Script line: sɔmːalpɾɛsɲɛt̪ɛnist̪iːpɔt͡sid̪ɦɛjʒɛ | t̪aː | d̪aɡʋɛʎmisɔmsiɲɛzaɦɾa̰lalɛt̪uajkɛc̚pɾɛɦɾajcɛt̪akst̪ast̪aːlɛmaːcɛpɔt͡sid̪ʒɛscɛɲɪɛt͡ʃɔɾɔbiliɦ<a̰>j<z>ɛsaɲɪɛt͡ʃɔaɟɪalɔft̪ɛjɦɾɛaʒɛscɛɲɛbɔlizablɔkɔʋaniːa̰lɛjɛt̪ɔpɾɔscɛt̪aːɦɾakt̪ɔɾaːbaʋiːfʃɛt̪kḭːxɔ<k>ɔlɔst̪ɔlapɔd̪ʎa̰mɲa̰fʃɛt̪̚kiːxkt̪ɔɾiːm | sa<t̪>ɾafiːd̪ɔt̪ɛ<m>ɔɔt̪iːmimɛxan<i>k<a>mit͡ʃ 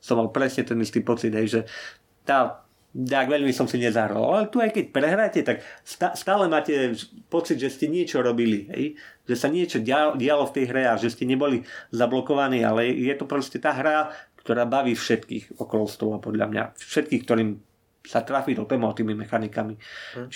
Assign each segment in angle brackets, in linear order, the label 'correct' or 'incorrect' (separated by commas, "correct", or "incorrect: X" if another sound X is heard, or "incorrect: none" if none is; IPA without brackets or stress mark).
incorrect: ɛ̰, incorrect: ʒ, correct, correct, correct, correct, correct